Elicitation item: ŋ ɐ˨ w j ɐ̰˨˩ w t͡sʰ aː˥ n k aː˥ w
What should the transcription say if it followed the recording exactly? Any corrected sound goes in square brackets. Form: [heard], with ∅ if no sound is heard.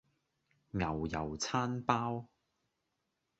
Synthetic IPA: ŋ ɐ˨ w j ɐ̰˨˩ w t͡sʰ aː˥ n [p] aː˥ w